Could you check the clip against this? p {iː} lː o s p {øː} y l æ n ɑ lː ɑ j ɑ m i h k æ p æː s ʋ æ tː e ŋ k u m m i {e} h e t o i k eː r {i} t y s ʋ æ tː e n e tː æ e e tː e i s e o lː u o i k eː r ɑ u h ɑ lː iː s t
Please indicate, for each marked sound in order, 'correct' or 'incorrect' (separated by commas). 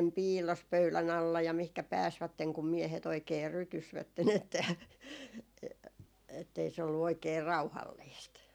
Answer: correct, incorrect, correct, incorrect